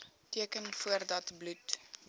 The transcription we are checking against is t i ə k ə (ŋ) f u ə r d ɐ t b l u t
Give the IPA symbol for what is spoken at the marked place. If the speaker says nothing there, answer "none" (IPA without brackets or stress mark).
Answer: n